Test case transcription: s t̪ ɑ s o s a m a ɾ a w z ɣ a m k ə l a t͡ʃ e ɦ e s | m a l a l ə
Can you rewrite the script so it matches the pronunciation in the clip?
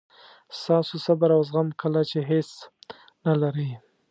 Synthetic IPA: s t̪ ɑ s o s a b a ɾ a w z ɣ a m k ə l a t͡ʃ e ɦ e s | n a l a ɾ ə